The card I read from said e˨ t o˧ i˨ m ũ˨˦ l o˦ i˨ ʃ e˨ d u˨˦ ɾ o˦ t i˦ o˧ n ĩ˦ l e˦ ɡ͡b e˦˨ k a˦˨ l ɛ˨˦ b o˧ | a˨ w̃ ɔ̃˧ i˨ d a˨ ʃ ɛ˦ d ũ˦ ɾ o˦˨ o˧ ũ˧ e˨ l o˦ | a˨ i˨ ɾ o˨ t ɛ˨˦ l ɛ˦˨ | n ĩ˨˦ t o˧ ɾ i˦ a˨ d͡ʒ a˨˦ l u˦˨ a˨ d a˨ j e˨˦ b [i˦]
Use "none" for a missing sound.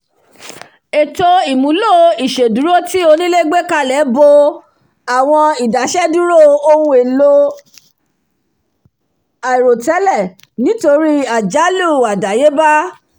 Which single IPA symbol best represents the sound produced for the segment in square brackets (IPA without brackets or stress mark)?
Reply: a˦